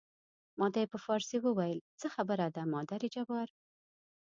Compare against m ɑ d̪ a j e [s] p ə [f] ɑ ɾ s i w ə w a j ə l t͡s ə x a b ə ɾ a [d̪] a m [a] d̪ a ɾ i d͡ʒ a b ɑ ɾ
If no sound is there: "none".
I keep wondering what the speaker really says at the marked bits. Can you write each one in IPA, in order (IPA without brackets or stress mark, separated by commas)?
none, f, d̪, ɑ